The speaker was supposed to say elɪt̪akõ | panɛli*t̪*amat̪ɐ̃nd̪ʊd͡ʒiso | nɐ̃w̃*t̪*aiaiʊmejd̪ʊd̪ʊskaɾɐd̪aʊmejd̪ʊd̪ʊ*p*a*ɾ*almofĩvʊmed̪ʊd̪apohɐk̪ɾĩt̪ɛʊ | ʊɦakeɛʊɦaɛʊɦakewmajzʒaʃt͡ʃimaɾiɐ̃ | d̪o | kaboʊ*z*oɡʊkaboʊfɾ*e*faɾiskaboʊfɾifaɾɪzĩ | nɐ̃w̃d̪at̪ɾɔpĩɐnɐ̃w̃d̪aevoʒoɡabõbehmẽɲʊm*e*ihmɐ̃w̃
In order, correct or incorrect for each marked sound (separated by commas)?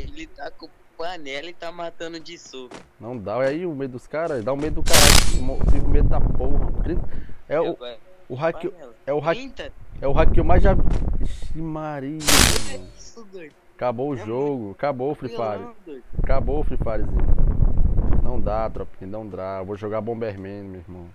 correct, incorrect, incorrect, correct, incorrect, incorrect, correct